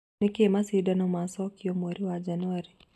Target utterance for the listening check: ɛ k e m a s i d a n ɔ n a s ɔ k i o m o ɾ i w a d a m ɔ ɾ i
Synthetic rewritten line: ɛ k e m a s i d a n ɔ m a s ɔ k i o m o ɾ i w a d͡ʒ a n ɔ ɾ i